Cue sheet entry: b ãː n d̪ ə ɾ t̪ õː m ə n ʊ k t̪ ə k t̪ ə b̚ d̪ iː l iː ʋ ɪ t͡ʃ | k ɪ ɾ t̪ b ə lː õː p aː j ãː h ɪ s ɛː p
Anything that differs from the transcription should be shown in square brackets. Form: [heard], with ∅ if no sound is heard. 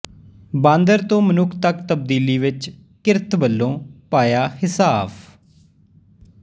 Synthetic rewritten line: b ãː n d̪ ə ɾ t̪ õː m ə n ʊ [kʰ] t̪ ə k t̪ ə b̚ d̪ iː l iː ʋ ɪ t͡ʃ | k ɪ ɾ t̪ b ə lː õː p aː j [aː] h ɪ s [aː] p